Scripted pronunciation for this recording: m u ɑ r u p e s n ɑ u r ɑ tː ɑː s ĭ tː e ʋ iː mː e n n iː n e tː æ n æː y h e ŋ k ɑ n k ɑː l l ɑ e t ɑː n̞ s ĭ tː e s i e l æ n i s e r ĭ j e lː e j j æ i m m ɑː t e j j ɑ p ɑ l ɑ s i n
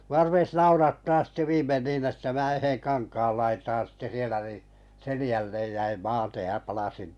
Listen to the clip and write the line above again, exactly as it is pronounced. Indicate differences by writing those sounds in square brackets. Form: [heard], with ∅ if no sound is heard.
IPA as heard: m u ɑ r u p e s n ɑ u r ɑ tː ɑː s ĭ tː e ʋ iː mː e n n iː n e tː æ [m] æː y h e ŋ k ɑ n k ɑː l l ɑ [i] t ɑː n̞ s ĭ tː e s i e l æ n i s e [l] ĭ j [æ] lː e j j æ i m m ɑː t e j j ɑ p ɑ l ɑ s i n